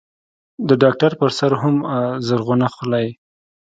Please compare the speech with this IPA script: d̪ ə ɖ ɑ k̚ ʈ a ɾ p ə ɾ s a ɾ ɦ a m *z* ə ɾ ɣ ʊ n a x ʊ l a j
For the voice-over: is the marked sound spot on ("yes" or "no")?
yes